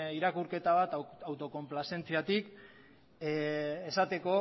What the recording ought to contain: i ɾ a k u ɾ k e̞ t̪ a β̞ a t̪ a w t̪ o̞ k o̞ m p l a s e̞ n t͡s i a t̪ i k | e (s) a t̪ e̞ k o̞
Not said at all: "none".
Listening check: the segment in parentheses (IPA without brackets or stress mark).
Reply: s